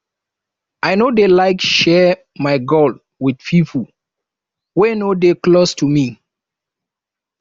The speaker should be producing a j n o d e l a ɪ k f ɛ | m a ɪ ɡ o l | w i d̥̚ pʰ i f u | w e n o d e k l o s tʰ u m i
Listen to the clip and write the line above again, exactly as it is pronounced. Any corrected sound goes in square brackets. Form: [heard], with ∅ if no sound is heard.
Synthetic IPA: a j n o d e l a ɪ k [ʃ] ɛ | m a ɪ ɡ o l | w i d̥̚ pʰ i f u | w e n o d e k l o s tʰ u m i